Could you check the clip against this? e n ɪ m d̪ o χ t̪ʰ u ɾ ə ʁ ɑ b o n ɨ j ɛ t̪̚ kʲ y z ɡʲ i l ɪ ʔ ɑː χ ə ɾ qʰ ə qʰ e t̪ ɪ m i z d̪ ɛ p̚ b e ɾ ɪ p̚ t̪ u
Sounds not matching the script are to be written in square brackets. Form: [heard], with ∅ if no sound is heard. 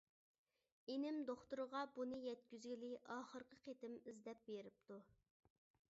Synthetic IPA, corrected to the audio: e n ɪ m d̪ o χ [t̪] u ɾ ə ʁ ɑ b [u] n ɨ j ɛ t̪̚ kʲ y z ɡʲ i l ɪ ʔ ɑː χ ə ɾ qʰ ə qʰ e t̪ ɪ m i z d̪ ɛ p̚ b e ɾ ɪ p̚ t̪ u